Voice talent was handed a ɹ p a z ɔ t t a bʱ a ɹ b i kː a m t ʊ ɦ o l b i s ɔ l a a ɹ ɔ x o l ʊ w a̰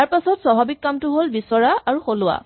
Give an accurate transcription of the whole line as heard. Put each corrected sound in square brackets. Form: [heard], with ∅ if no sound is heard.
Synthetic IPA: a ɹ p a [s] ɔ t [s] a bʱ a [∅] b i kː a m t ʊ ɦ o l b i s ɔ [ɹ] a a ɹ [u] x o l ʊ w a̰